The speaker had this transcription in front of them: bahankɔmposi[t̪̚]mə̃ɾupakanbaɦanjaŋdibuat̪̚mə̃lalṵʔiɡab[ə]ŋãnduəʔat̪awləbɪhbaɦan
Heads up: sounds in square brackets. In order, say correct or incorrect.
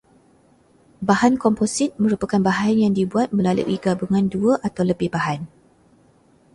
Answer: correct, correct

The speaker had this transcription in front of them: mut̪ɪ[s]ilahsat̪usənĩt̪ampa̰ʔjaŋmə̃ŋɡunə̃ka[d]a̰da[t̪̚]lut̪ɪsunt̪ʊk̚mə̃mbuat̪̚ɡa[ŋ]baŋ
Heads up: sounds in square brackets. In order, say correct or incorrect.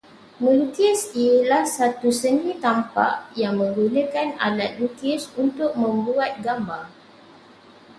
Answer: correct, incorrect, correct, incorrect

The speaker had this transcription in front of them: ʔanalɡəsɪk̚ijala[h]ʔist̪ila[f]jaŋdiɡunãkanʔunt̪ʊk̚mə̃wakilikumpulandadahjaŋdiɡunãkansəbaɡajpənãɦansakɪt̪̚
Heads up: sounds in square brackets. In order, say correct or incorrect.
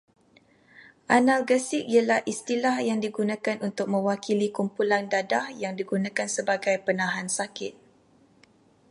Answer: correct, incorrect

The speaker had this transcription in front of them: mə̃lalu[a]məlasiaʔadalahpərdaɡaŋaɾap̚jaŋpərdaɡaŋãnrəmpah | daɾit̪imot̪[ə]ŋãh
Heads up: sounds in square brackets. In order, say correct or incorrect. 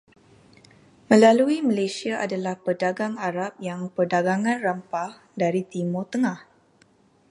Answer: incorrect, correct

